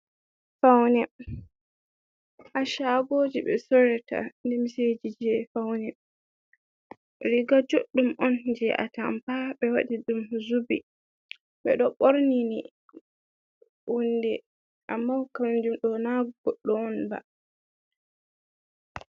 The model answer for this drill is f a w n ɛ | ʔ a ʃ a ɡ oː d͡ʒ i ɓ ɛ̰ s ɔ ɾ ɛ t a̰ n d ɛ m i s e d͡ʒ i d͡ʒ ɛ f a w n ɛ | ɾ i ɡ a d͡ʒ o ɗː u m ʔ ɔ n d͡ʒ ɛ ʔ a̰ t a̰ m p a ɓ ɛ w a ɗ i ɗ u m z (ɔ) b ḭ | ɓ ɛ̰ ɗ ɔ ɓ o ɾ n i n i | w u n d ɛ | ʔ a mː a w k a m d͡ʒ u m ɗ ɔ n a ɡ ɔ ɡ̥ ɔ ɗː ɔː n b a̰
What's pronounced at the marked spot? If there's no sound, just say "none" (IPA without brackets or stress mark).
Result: u